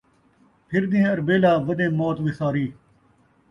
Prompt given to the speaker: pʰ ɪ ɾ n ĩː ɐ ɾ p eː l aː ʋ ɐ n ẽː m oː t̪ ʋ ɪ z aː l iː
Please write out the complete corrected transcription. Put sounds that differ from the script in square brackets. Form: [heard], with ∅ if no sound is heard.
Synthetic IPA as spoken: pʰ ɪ ɾ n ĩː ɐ ɾ [b] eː l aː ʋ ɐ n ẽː m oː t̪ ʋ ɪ [s] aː [ɾ] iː